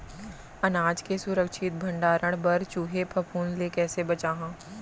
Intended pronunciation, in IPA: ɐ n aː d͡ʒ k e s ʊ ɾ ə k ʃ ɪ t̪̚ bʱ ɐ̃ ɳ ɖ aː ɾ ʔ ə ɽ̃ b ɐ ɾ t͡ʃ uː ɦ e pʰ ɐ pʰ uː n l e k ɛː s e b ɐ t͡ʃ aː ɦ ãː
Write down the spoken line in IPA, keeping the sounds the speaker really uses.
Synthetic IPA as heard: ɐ n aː d͡ʒ k e s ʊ ɾ ə k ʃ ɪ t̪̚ bʱ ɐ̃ ɳ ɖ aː ɾ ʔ ə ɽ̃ b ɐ ɾ t͡ʃ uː ɦ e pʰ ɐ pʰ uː n l e k ɛː s e b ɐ t͡ʃ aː ɦ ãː